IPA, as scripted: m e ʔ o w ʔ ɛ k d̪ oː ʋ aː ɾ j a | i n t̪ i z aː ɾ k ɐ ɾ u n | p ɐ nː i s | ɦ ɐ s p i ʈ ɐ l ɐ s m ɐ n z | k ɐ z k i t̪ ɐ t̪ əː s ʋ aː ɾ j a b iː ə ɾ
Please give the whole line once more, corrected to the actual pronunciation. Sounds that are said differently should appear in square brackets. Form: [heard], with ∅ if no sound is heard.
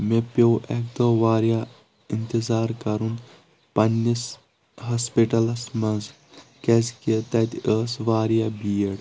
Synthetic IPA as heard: m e [p] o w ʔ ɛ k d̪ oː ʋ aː ɾ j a | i n t̪ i z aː ɾ k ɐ ɾ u n | p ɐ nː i s | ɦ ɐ s p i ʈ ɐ l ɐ s m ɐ n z | k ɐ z k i t̪ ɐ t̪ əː s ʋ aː ɾ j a b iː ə [ɽ]